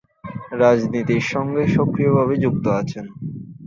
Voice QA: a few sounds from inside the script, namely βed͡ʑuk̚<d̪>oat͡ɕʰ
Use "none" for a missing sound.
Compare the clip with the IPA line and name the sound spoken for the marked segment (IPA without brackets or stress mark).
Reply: t̪